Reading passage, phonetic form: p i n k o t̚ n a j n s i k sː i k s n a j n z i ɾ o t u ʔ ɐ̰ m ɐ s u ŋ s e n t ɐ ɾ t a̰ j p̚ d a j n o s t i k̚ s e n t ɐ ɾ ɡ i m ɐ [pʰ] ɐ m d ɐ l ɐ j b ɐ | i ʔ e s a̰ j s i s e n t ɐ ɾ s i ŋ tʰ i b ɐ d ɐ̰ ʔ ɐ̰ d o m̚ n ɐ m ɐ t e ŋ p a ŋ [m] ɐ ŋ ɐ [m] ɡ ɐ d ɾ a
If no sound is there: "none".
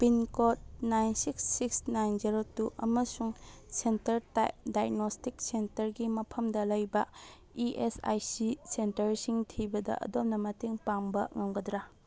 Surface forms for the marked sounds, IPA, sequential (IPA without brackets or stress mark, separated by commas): pʰ, b, ŋ